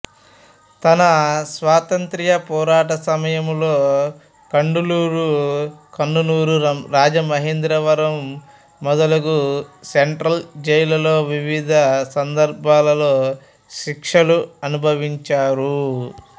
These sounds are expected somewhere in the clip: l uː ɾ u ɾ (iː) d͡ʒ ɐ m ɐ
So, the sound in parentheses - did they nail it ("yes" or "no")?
no